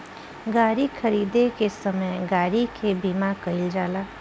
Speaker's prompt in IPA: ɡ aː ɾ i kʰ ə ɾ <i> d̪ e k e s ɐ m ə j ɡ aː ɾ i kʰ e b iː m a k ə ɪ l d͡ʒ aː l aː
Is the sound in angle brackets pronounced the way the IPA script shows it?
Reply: no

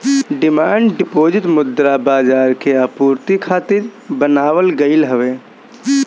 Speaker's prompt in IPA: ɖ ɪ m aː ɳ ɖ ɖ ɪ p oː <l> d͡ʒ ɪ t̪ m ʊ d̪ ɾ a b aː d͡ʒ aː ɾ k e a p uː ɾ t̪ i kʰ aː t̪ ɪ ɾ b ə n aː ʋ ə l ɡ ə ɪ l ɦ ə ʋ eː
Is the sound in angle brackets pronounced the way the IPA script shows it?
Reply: no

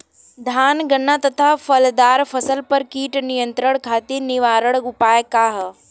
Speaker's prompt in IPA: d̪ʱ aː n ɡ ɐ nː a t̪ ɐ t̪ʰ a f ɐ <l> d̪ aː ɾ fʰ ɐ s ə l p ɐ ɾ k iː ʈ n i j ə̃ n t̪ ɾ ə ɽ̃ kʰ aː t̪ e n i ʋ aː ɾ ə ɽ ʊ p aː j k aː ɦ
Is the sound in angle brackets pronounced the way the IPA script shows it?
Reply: yes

